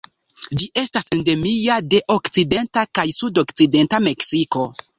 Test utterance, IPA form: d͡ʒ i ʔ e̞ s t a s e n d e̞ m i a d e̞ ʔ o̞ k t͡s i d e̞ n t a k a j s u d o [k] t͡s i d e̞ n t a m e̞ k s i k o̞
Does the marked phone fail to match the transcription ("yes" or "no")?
no